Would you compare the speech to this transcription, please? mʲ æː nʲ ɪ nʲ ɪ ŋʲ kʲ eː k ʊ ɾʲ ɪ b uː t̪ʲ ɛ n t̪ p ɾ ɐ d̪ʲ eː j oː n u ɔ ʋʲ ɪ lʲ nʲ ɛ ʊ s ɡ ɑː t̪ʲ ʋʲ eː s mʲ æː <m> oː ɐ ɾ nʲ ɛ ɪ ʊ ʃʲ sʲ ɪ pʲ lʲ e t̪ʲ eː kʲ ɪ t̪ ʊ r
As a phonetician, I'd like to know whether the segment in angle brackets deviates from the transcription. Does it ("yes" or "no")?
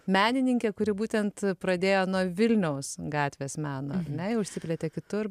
yes